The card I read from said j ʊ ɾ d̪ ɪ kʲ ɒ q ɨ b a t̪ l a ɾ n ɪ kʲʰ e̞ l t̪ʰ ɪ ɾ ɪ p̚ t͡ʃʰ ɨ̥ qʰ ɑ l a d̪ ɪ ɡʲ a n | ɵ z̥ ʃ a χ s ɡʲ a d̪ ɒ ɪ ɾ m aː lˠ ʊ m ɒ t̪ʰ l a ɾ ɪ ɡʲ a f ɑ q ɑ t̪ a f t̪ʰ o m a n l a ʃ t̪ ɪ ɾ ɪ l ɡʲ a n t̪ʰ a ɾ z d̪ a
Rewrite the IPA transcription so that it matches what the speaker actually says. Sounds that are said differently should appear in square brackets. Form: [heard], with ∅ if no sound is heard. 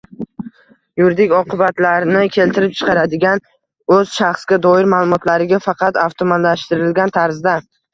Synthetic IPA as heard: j ʊ ɾ d̪ ɪ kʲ ɒ q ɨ b a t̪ l a ɾ n ɪ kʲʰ e̞ l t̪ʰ ɪ ɾ ɪ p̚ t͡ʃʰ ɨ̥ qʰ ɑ [ɾ] a d̪ ɪ ɡʲ a n | ɵ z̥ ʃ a χ s ɡʲ a d̪ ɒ ɪ ɾ m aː lˠ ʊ m ɒ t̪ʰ l a ɾ ɪ ɡʲ a f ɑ q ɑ t̪ a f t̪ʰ o m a n l a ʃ t̪ ɪ ɾ ɪ l ɡʲ a n t̪ʰ a ɾ z d̪ a